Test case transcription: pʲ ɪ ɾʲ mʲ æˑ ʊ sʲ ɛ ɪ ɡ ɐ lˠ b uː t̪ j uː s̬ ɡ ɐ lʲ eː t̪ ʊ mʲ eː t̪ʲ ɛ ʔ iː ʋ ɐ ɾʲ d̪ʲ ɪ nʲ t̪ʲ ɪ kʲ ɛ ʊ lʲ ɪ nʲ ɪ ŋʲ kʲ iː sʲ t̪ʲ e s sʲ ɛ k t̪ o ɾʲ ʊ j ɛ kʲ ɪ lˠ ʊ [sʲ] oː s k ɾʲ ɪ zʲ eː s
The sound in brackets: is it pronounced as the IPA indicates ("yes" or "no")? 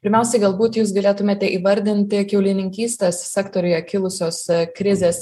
yes